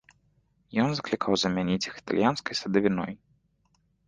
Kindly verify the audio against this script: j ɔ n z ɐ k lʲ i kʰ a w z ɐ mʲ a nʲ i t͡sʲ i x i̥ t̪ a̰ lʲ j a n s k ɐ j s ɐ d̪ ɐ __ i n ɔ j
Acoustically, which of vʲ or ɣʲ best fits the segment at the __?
vʲ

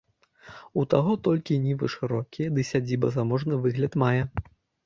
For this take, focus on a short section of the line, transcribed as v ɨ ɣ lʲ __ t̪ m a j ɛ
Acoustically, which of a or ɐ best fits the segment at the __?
ɐ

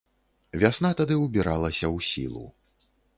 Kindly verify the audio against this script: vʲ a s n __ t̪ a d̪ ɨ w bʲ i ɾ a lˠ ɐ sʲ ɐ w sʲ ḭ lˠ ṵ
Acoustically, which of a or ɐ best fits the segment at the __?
a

